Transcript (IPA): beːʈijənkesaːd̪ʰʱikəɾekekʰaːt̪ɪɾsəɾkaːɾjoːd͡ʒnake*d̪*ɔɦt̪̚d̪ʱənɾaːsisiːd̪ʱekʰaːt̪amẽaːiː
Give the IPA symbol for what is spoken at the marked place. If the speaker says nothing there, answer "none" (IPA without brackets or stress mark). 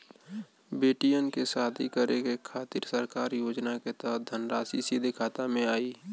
t̪